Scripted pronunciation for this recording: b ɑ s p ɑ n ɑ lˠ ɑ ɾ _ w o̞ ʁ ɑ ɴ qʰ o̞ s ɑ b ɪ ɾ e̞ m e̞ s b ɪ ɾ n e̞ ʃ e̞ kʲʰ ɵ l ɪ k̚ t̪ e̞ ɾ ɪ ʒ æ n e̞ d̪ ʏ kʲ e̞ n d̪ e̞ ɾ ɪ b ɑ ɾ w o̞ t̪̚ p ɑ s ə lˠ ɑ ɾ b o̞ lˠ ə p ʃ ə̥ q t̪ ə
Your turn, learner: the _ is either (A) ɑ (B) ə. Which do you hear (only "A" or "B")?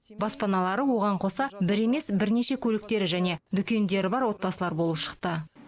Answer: B